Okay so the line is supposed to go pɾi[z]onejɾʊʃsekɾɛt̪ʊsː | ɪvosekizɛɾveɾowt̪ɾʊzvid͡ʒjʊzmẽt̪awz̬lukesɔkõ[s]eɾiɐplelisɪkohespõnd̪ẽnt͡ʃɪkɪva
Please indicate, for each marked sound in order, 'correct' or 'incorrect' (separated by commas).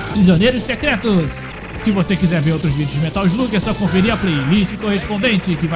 correct, incorrect